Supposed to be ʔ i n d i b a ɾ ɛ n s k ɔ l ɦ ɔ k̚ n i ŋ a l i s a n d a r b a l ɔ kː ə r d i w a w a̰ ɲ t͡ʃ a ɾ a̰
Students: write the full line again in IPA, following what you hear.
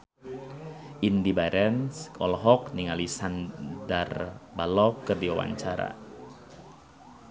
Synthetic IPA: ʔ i n d i b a ɾ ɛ n s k ɔ l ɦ ɔ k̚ n i ŋ a l i s a n d a r b a l ɔ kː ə r d i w a w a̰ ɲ t͡ʃ a ɾ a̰